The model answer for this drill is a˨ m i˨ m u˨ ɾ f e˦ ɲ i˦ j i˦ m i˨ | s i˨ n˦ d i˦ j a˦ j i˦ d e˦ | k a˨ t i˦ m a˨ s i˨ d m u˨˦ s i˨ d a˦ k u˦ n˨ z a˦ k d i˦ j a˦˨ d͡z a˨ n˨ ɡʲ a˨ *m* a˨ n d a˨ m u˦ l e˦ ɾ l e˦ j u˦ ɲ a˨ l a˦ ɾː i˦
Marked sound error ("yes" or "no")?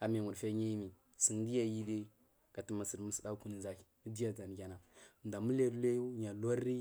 yes